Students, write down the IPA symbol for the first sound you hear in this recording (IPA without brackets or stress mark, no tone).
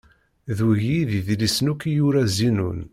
ð